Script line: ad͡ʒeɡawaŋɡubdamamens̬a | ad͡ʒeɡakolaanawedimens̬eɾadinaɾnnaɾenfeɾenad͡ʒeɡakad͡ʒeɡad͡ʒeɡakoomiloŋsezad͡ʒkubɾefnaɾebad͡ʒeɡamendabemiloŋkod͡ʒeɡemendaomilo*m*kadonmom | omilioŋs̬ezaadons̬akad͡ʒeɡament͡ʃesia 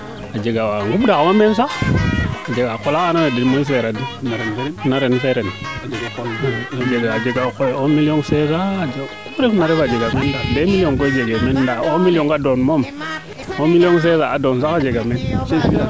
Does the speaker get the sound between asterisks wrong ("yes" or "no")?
yes